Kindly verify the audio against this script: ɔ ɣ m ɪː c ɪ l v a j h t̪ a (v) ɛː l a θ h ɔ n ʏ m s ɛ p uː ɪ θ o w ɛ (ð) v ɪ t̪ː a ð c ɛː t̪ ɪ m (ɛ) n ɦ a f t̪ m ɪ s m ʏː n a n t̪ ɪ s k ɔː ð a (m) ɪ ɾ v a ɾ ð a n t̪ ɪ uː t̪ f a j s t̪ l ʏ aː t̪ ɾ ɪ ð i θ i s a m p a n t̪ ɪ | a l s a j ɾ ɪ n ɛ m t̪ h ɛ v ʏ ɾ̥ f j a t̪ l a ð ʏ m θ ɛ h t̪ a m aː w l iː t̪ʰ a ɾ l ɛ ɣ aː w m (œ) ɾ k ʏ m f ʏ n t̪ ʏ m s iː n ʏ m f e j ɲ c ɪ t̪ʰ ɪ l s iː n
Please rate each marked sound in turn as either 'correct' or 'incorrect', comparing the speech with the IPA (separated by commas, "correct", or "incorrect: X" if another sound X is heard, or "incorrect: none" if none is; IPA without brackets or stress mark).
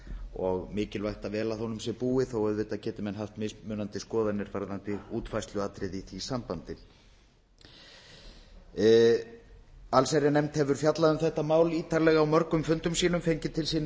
correct, correct, correct, incorrect: n, correct